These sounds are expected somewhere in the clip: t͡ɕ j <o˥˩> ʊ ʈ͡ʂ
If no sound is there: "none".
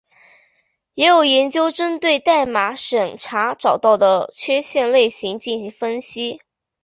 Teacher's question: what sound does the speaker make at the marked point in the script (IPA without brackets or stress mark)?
o˥